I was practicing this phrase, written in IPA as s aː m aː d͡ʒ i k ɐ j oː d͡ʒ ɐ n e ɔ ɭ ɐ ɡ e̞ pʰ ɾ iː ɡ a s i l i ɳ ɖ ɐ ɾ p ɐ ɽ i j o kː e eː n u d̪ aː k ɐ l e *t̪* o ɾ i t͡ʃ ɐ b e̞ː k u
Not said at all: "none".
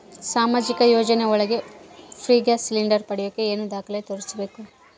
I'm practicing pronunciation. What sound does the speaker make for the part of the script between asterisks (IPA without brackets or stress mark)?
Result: t̪